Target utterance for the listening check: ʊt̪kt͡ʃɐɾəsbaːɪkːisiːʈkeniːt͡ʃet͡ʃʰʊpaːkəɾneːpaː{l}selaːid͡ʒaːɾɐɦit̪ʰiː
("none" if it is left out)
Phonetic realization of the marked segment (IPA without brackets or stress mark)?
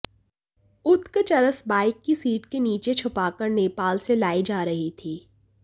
l